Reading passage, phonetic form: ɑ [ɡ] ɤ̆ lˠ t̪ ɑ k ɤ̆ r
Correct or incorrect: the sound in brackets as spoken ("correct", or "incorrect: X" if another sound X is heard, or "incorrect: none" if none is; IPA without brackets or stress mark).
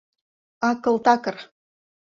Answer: incorrect: k